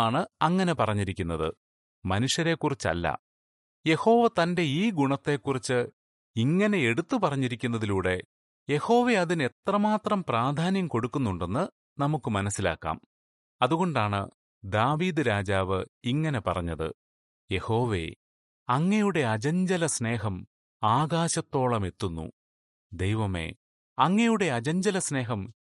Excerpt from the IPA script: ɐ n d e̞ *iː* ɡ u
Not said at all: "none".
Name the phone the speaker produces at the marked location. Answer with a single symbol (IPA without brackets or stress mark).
iː